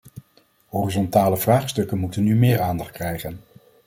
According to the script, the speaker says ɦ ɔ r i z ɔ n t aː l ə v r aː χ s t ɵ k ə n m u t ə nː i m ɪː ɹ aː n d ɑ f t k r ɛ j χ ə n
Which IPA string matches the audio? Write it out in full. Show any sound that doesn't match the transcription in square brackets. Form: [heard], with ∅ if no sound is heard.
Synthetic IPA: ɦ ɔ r i z ɔ n t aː l ə v r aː χ s t ɵ k ə n m u t ə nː [y] m ɪː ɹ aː n d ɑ [χ] t k r ɛ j χ ə n